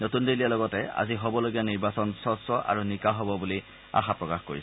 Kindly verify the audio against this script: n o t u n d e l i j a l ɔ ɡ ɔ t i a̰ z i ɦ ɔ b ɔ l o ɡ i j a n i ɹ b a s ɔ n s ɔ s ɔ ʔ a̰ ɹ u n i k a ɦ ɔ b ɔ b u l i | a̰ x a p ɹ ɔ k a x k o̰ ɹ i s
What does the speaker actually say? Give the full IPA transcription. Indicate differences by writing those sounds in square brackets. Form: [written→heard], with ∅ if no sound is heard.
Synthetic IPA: n o t u n d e l i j a l ɔ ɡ ɔ t [i→ɛ] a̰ z i ɦ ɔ b ɔ l o ɡ i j a n i ɹ b a s ɔ n s ɔ s ɔ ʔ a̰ ɹ u n i k a ɦ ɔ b ɔ b u l i | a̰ x a p ɹ ɔ k a x k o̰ ɹ i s